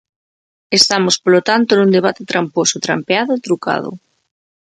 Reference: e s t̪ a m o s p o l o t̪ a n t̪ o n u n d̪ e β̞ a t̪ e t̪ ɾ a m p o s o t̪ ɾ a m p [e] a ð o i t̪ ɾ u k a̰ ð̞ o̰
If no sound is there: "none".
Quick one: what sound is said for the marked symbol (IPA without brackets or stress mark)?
e